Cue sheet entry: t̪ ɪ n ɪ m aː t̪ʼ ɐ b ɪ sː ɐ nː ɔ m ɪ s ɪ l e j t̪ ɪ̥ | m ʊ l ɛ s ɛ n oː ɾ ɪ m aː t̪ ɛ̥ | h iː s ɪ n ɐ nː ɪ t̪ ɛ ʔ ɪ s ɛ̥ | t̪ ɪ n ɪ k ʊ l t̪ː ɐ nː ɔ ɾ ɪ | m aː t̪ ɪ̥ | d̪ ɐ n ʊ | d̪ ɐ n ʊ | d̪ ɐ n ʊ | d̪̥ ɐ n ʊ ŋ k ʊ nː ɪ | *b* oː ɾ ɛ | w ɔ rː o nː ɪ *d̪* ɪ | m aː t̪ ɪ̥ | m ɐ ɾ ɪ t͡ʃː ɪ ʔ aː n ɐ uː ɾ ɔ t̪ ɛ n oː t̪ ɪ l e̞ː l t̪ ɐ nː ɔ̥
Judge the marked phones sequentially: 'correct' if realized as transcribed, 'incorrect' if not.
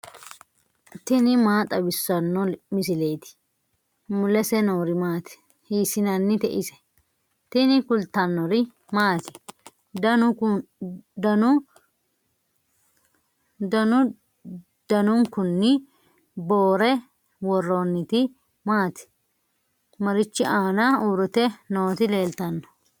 correct, incorrect

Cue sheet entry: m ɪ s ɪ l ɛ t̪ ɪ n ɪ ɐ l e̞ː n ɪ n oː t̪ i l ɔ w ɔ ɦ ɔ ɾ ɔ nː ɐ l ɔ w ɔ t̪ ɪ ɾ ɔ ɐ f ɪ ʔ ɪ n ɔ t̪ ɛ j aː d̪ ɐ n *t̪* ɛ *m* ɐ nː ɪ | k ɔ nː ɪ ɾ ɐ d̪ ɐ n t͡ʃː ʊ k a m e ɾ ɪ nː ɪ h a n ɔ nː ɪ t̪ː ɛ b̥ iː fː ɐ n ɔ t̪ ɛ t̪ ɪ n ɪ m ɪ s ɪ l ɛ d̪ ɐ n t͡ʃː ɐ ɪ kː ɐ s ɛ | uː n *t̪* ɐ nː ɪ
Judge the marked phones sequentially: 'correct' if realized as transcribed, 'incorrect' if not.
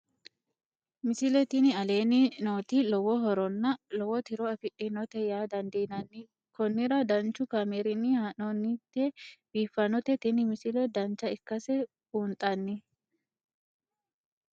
incorrect, incorrect, incorrect

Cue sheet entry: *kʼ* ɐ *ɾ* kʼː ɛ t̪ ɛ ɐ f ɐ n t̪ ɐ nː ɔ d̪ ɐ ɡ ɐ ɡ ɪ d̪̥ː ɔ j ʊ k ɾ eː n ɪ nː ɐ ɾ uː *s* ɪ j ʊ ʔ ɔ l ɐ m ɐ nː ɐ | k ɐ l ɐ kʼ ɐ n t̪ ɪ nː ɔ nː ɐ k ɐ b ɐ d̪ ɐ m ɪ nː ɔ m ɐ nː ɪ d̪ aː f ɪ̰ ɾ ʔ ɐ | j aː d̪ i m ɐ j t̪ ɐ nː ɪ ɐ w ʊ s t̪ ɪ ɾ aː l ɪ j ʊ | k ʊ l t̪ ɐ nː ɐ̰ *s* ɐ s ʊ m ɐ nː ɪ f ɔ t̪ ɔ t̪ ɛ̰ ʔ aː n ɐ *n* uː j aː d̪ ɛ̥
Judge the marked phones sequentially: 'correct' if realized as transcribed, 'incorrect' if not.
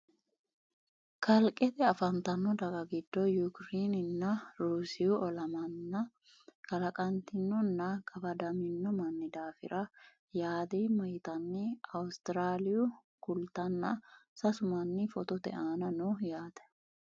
incorrect, incorrect, correct, correct, correct

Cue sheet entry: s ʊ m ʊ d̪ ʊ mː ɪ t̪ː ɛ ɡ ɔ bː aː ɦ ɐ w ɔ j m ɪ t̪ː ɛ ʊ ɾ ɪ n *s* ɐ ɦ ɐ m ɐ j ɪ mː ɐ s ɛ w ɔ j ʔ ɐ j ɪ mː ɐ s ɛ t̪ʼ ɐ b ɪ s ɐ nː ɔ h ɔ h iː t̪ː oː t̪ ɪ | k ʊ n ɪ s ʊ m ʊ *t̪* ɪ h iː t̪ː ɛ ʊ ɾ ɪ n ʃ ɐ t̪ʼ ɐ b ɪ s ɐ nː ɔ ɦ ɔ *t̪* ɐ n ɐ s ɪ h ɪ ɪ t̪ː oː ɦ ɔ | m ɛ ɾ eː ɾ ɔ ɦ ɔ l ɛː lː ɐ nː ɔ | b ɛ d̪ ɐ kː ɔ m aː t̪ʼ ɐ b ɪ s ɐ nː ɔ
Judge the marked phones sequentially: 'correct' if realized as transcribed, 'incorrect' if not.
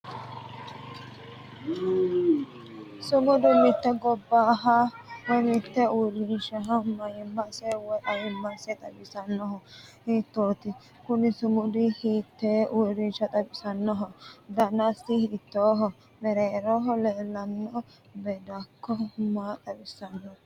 incorrect, incorrect, incorrect

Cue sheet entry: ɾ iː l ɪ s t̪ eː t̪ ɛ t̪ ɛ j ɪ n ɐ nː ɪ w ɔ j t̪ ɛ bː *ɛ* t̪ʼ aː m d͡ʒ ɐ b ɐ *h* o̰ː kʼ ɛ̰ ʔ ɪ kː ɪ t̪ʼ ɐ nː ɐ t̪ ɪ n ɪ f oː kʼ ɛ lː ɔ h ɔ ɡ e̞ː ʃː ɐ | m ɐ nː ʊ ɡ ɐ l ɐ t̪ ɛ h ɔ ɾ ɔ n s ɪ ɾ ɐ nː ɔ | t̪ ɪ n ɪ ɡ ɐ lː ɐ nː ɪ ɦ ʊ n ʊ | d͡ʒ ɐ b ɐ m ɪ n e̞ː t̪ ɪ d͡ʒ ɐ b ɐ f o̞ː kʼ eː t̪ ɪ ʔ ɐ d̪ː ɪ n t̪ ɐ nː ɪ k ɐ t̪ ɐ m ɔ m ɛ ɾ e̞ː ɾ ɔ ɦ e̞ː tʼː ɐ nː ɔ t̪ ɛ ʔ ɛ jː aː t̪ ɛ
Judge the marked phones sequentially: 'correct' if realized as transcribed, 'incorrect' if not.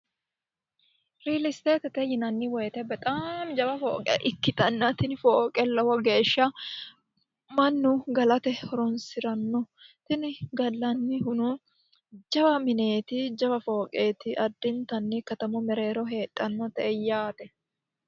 correct, incorrect

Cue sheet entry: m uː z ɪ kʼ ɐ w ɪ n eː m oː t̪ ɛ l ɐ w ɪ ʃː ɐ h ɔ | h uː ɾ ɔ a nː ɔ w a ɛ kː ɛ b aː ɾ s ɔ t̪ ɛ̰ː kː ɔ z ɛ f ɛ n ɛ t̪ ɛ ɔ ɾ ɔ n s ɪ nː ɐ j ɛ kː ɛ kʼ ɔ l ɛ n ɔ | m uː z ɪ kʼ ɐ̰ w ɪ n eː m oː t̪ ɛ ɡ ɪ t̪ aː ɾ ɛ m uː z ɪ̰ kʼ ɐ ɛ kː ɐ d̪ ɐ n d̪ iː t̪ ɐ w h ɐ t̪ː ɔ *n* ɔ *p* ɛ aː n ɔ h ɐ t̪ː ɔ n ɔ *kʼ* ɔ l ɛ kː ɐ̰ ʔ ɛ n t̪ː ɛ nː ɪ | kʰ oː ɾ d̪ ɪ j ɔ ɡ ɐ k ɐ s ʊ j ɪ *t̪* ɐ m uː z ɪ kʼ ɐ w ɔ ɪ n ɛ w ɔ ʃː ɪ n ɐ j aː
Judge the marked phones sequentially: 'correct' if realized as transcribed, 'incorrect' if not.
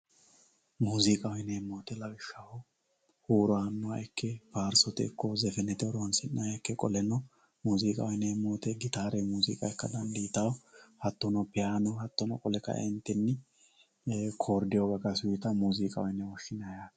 correct, correct, correct, correct

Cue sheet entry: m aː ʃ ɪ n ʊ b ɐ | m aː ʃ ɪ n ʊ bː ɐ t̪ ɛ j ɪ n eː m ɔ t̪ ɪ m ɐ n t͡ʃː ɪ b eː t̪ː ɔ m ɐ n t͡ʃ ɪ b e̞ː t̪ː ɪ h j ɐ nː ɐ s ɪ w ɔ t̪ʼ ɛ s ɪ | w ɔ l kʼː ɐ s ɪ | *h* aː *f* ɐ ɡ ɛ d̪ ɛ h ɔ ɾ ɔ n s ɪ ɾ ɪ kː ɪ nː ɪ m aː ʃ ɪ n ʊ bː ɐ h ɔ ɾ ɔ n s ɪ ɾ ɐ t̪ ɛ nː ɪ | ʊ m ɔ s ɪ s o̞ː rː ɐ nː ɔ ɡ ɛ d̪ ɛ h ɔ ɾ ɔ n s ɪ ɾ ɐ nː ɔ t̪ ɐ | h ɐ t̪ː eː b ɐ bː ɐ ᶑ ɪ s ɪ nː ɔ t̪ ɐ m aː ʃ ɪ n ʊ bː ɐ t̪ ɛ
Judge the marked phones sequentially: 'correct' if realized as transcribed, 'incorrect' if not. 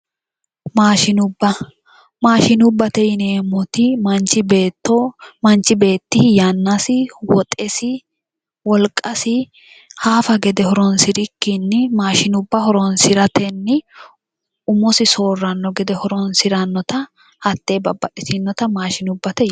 correct, correct

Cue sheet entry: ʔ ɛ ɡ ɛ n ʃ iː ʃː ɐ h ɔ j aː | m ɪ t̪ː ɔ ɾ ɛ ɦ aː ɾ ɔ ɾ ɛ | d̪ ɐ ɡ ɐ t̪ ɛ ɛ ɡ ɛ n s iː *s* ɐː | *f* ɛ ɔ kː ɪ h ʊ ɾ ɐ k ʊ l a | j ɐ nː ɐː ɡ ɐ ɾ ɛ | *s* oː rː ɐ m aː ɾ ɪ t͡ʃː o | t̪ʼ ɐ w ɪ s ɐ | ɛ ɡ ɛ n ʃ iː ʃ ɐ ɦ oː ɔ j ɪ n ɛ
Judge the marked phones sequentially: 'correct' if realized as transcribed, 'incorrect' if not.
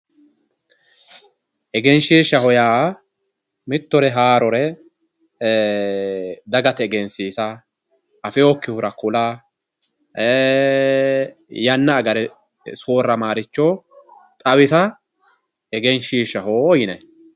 correct, correct, correct

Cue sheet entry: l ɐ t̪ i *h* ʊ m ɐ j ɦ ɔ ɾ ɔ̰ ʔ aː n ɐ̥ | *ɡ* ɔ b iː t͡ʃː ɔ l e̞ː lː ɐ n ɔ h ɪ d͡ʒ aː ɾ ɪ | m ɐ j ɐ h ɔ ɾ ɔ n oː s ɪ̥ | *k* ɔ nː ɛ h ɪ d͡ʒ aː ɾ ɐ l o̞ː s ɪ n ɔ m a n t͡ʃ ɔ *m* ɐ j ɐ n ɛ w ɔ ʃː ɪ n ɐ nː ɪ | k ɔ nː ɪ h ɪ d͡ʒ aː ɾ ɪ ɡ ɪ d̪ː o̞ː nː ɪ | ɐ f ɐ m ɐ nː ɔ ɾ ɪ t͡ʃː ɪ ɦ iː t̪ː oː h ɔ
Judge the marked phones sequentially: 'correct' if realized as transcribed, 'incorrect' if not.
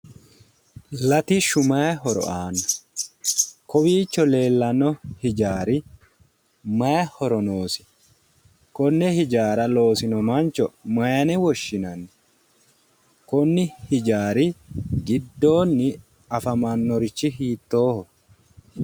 incorrect, incorrect, correct, correct

